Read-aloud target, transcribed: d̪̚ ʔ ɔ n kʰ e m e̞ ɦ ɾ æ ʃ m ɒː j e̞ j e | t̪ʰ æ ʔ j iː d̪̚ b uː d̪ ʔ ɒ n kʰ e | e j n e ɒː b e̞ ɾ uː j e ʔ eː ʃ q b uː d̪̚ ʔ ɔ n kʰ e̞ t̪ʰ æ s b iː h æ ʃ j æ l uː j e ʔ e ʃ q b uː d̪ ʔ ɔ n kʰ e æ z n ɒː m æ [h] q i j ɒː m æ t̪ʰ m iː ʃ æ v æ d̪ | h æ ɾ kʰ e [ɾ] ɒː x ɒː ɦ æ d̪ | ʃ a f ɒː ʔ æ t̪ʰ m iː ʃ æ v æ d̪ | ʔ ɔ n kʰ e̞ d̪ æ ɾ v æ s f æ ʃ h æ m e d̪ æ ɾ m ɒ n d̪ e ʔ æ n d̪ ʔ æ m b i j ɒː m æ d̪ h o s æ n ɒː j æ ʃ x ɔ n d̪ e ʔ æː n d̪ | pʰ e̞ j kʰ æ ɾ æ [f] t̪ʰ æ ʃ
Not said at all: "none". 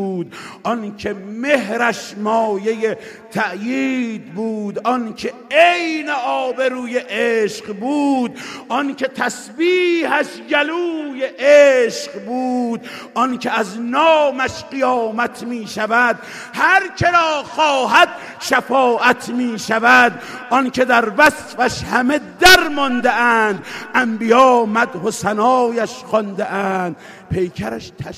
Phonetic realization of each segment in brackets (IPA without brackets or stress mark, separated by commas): ʃ, ɾ, ʃ